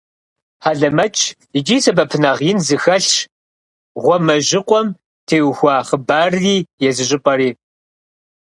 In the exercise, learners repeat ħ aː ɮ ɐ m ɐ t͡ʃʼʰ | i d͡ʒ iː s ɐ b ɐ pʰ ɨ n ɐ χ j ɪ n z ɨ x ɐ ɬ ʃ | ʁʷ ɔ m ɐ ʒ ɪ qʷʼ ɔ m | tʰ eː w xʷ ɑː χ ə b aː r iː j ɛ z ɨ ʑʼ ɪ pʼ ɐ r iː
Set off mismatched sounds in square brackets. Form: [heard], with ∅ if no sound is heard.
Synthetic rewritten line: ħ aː ɮ ɐ m ɐ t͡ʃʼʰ | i d͡ʒ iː s ɐ b ɐ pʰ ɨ n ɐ [ʁ] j ɪ n z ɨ x ɐ ɬ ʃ | ʁʷ ɔ m ɐ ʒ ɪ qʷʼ ɔ m | tʰ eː w xʷ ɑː χ ə b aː r iː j ɛ z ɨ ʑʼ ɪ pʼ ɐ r iː